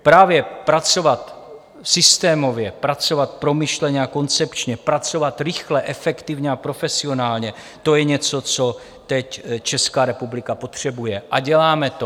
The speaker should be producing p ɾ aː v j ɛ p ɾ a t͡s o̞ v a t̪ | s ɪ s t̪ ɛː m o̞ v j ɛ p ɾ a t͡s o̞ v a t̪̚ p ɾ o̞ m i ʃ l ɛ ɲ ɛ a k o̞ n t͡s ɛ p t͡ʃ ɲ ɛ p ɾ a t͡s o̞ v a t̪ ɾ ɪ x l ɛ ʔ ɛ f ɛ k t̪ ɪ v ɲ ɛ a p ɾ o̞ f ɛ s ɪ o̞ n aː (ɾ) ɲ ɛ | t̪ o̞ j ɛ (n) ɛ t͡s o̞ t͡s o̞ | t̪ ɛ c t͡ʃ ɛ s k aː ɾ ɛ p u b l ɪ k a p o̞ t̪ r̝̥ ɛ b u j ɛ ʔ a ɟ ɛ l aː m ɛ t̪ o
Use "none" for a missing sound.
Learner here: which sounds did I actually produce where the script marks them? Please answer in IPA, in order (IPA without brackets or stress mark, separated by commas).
l, ɲ